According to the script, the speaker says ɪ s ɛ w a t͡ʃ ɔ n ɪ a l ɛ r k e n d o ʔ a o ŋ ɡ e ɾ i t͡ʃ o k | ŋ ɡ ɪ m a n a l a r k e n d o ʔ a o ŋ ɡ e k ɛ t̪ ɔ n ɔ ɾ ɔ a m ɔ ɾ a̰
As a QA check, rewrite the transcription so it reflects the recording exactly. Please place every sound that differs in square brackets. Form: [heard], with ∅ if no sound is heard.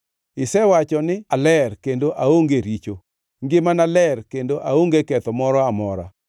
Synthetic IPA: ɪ s ɛ w a t͡ʃ ɔ n ɪ a l ɛ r k e n d o ʔ a o ŋ ɡ e ɾ i t͡ʃ o [∅] | ŋ ɡ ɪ m a n a l [ɛ] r k e n d o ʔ a o ŋ ɡ e k ɛ t̪ ɔ [m] ɔ ɾ ɔ a m ɔ ɾ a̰